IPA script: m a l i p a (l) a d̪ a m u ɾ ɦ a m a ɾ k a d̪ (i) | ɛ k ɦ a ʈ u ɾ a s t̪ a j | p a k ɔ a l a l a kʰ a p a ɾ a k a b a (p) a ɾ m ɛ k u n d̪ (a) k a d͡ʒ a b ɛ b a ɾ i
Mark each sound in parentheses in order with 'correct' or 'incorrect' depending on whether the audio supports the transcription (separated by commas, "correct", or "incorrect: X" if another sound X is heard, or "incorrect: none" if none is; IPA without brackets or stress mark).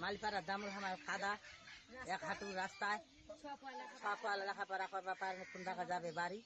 incorrect: ɾ, incorrect: a, correct, correct